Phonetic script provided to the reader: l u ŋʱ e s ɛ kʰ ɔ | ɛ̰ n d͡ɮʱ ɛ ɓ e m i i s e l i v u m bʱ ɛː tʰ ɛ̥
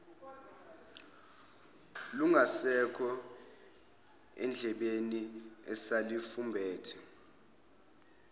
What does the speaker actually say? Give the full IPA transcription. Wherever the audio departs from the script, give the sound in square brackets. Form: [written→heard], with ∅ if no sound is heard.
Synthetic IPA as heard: l u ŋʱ [e→a] s ɛ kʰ ɔ | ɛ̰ n d͡ɮʱ ɛ ɓ e [m→n] i [i→ɛ] s [e→a] l i [v→f] u m bʱ ɛː tʰ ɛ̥

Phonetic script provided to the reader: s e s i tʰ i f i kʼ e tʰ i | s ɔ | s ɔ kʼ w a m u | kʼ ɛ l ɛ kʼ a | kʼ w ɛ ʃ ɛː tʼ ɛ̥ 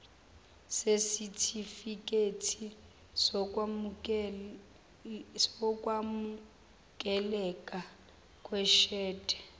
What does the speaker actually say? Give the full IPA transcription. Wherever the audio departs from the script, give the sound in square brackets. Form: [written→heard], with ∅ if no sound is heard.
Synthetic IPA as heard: s e s i tʰ i f i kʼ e tʰ i | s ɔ | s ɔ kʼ w a m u | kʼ ɛ l ɛ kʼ a | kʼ w ɛ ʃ ɛː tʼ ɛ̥

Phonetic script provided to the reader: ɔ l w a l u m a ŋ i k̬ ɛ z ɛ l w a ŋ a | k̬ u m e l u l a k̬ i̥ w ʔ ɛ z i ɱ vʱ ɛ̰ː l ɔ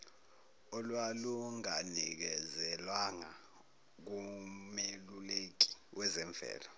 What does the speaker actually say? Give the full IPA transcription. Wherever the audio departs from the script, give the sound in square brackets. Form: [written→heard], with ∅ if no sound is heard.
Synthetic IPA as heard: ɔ l w a l u [m→ŋ] a [ŋ→n] i k̬ ɛ z ɛ l w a ŋ a | k̬ u m e l u l [a→e] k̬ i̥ w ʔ ɛ z [i→ɛ] ɱ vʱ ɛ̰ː l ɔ

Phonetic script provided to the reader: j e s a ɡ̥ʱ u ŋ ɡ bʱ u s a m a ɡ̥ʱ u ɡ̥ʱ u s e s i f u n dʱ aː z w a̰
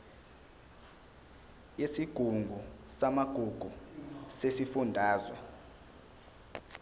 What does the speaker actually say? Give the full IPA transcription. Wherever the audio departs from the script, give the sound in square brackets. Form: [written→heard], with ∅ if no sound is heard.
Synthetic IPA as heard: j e s [a→i] ɡ̥ʱ u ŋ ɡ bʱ u s a m a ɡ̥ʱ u ɡ̥ʱ u s e s i f u n dʱ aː z w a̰

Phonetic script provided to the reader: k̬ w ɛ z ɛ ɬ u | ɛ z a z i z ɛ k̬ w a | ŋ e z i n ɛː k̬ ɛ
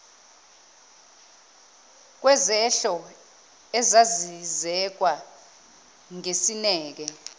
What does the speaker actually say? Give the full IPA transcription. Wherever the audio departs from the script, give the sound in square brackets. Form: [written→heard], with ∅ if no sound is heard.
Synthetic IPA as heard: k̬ w ɛ z ɛ ɬ [u→ɔ] | ɛ z a z i z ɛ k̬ w a | ŋ e [z→s] i n ɛː k̬ ɛ

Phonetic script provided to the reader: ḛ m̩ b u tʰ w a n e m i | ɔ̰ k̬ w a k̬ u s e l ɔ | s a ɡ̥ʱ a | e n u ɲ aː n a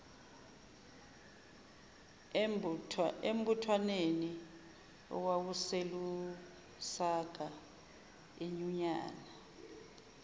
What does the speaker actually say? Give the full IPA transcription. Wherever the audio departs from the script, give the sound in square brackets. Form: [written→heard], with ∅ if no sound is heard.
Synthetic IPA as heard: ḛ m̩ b u tʰ w a n e [m→n] i | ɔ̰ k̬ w a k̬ u s e l [ɔ→u] | s a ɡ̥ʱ a | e [n→ɲ] u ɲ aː n a

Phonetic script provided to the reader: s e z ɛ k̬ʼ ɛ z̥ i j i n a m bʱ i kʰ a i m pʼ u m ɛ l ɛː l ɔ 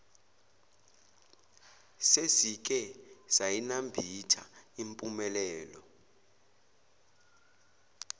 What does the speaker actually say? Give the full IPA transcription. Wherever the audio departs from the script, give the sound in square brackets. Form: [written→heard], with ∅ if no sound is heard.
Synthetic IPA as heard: s e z [ɛ→i] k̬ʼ ɛ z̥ [i→a] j i n a m bʱ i [kʰ→tʰ] a i m pʼ u m ɛ l ɛː l ɔ

